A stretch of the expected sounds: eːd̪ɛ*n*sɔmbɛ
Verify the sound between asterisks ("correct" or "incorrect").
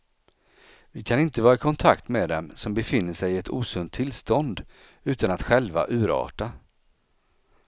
incorrect